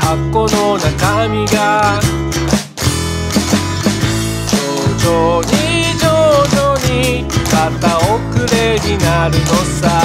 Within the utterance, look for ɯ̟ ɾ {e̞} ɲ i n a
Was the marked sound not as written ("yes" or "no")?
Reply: no